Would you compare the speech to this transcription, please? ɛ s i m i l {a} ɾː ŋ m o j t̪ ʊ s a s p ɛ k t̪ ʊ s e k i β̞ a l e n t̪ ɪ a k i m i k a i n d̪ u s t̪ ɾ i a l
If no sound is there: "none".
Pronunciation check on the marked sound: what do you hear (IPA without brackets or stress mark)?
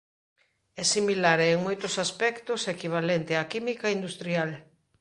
a